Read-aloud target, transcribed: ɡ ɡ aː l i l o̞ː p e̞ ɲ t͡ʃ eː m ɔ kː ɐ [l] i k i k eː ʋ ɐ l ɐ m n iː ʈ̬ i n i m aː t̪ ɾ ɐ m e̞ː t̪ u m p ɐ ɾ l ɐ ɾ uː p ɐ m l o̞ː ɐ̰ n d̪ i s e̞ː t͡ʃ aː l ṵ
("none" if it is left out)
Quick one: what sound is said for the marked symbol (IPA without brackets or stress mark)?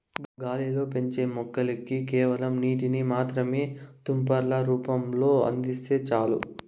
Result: l